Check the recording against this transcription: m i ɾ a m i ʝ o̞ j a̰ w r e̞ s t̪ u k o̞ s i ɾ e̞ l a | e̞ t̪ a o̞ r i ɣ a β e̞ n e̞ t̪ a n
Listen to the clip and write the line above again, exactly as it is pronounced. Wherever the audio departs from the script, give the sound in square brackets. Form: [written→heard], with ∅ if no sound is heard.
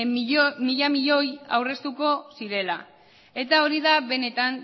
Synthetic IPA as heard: m i [ɾ→ʎ] a m i [ʝ→ʎ] o̞ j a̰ w r e̞ s t̪ u k o̞ s i ɾ e̞ l a | e̞ t̪ a o̞ [r→ɾ] i [ɣ→ð] a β e̞ n e̞ t̪ a n